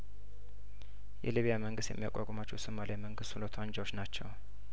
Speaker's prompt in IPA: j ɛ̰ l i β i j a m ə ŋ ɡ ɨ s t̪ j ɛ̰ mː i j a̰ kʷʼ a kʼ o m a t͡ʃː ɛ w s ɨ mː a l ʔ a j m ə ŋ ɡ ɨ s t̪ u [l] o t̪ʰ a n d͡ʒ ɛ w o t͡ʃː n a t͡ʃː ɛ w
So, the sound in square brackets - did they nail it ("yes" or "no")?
yes